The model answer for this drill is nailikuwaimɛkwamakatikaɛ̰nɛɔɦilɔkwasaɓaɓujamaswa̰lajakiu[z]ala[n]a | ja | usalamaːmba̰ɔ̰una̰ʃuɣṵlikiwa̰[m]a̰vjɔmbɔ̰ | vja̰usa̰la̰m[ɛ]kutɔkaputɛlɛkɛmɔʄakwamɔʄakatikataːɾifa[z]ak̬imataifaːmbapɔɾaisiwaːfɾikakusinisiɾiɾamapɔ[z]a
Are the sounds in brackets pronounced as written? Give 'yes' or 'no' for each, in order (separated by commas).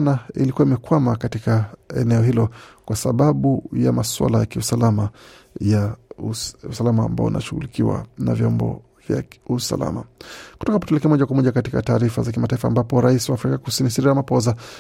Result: no, no, no, no, yes, yes